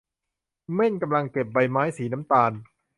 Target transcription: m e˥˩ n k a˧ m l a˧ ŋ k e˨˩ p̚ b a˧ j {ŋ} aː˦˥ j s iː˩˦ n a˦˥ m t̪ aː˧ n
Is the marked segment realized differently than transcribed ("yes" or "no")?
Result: yes